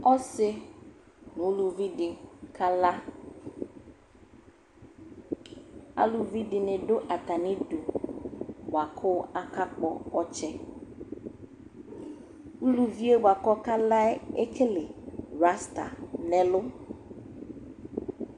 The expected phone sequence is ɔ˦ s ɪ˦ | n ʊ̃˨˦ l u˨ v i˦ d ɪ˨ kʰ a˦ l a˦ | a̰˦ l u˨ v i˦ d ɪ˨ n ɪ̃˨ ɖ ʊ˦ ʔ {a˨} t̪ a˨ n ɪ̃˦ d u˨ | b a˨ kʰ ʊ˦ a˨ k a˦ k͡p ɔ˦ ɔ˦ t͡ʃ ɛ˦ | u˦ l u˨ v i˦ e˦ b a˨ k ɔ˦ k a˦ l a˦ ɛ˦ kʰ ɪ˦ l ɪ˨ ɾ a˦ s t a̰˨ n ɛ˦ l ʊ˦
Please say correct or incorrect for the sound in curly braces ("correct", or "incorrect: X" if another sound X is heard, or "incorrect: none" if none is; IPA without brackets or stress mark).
correct